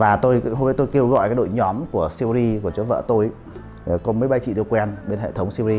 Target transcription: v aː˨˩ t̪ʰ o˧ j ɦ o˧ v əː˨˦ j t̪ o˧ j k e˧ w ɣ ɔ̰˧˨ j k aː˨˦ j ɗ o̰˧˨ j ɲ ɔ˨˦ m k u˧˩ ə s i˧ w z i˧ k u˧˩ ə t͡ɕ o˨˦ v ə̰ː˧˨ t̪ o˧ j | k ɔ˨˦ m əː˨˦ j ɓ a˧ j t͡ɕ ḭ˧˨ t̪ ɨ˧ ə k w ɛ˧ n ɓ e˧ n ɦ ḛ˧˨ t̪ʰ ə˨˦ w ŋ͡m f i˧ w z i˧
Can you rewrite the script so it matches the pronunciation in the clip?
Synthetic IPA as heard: v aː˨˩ t̪ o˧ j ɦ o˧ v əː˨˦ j t̪ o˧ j k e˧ w ɣ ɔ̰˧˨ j k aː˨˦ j ɗ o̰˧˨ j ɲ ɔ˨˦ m k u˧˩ ə s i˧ w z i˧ k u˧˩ ə t͡ɕ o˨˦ v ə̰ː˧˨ t̪ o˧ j | k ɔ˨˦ m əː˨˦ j ɓ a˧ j t͡ɕ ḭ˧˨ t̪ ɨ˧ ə k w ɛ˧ n ɓ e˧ n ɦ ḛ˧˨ t̪ʰ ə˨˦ w ŋ͡m s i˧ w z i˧